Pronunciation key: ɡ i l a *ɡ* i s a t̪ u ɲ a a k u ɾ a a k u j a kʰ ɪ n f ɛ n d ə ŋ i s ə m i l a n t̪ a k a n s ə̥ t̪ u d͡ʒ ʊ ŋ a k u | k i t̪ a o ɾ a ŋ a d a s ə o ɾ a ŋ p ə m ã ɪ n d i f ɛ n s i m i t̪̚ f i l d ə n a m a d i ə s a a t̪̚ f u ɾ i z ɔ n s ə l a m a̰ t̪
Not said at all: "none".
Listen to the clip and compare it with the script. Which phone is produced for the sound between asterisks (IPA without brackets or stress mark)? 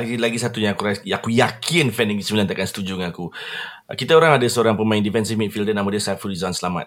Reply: ɡ